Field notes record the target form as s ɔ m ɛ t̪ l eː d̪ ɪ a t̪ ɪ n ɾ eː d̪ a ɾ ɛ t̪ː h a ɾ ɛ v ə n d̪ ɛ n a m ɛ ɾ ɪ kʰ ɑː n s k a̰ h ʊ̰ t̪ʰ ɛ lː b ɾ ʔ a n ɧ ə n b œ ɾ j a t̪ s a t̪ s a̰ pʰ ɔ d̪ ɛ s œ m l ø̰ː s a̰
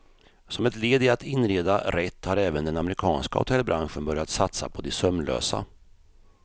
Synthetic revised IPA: s ɔ m ɛ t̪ l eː d̪ ɪ a t̪ ɪ n ɾ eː d̪ a ɾ ɛ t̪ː h a ɾ ɛː v ə n d̪ ɛ n a m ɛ ɾ ɪ kʰ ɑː n s k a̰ h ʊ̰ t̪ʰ ɛ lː b ɾ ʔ a n ɧ ə n b œ ɾ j a t̪ s a t̪ s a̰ pʰ ɔ d̪ ɛ s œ m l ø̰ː s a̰